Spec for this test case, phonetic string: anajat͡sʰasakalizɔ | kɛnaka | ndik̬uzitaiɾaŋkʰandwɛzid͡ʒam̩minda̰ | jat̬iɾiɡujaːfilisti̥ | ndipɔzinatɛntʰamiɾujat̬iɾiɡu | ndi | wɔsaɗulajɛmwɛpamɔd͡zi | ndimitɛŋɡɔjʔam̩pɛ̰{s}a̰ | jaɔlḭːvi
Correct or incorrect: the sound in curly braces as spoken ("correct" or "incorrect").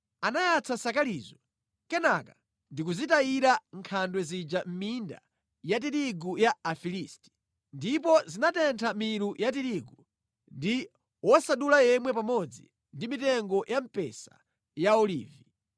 correct